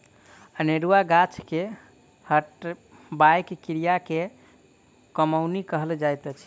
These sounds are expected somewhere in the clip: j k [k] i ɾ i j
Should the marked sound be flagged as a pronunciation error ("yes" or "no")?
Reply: no